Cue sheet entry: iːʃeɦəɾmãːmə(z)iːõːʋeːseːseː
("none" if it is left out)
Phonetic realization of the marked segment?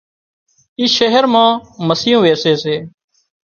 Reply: s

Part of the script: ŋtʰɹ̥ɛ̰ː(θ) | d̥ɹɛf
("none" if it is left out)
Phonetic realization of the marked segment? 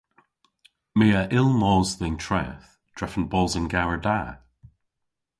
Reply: θ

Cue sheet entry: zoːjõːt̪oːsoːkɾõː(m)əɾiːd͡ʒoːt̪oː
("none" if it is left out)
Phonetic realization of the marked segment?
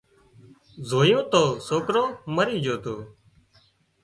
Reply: m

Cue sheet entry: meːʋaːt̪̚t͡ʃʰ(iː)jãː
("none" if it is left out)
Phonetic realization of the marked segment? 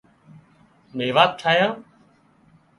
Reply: aː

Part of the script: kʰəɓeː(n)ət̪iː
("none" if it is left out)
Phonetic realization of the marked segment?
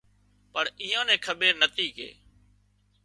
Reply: n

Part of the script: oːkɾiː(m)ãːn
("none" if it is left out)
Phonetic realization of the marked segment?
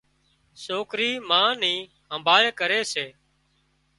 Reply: m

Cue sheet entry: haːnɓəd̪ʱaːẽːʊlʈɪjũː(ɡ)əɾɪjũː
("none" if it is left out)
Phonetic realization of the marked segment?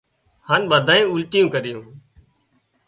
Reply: k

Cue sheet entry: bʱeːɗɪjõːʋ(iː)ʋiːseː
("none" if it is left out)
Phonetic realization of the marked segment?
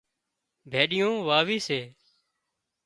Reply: aː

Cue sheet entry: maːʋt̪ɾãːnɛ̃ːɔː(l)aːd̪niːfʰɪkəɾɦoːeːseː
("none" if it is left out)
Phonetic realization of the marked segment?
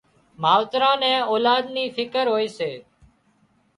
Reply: l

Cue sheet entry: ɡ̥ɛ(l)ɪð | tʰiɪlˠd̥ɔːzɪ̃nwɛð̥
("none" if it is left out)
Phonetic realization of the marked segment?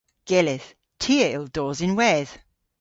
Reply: l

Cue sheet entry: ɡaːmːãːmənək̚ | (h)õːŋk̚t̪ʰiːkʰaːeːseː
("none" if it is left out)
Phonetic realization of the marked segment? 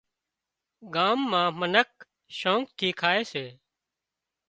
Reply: ʃ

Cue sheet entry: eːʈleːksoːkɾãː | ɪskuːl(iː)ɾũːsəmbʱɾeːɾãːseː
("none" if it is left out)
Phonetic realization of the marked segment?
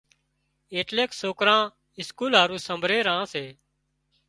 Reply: aː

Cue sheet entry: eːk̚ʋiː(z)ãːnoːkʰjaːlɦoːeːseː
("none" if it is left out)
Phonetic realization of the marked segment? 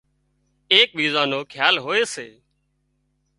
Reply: z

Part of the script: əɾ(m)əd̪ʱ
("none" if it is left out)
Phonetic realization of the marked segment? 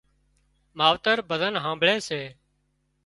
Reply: b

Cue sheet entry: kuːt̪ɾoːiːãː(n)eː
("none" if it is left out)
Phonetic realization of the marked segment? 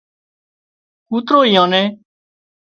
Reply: n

